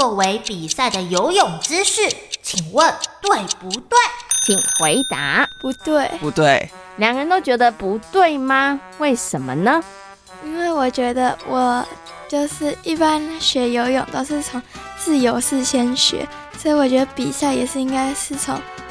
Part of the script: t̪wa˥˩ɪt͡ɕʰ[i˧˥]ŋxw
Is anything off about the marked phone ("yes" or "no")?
yes